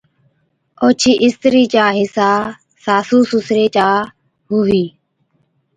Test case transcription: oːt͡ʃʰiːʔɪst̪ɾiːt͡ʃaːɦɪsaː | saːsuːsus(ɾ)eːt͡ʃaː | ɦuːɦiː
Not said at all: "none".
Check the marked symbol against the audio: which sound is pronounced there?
ɾ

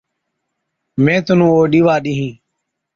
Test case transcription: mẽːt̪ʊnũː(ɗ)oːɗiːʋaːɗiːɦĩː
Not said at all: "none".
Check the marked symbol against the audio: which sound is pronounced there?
none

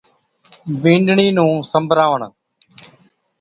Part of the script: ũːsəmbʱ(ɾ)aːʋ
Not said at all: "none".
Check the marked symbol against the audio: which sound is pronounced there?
ɾ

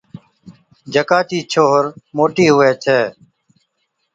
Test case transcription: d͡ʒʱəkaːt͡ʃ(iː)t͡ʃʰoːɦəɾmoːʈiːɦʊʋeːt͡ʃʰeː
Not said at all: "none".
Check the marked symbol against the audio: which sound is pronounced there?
iː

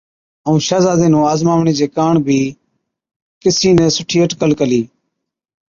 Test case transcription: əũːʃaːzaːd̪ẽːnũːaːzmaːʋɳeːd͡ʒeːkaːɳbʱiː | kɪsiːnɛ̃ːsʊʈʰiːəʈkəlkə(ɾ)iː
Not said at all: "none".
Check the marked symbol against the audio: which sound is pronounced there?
l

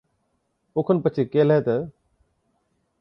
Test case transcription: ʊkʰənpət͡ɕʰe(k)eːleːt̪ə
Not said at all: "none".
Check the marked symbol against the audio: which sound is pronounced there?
k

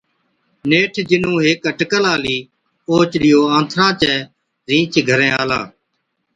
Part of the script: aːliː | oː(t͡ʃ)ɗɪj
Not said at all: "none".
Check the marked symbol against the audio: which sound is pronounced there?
t͡ʃ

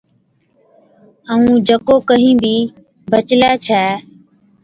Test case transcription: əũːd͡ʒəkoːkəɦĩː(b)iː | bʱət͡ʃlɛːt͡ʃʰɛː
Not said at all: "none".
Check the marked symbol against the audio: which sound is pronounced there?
b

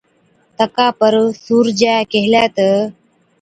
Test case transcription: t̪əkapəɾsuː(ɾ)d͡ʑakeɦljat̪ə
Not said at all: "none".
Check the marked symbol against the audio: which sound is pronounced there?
ɾ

